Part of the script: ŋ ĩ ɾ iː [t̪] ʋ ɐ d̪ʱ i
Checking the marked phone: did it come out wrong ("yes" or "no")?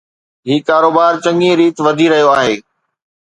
no